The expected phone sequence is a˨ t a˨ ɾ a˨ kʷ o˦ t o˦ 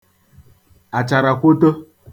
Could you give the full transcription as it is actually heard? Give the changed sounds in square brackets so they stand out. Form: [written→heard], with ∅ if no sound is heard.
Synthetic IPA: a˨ [t→t͡ʃ] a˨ ɾ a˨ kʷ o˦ t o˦